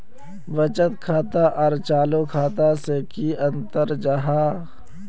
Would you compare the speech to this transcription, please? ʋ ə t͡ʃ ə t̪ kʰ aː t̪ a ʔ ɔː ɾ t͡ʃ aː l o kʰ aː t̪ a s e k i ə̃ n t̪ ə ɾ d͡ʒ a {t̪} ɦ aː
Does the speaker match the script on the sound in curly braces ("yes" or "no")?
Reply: no